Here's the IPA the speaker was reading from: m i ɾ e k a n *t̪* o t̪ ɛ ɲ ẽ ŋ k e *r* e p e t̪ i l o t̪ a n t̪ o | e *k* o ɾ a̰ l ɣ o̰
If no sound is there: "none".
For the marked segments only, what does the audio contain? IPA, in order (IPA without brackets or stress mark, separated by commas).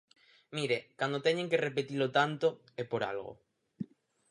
d̪, r, p